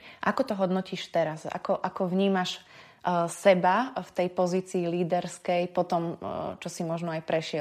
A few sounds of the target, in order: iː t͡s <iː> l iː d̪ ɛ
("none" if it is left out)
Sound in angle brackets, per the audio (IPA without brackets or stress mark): iː